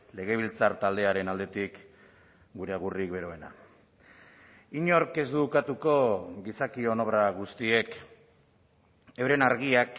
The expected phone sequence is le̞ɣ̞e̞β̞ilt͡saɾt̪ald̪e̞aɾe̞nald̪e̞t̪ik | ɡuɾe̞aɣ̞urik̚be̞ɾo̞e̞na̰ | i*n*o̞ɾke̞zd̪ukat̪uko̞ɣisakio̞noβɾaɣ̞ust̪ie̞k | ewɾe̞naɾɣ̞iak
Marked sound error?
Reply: yes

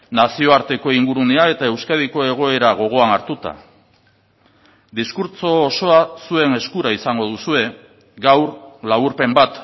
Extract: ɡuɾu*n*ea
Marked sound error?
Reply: no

